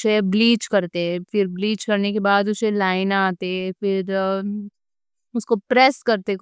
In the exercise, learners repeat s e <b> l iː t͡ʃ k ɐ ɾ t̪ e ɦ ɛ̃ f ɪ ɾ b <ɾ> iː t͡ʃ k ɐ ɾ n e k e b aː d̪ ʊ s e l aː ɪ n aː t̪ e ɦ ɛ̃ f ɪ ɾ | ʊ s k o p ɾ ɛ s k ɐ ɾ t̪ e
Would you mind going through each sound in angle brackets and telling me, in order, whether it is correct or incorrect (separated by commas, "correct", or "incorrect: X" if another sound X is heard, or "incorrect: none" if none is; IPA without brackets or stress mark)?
correct, incorrect: l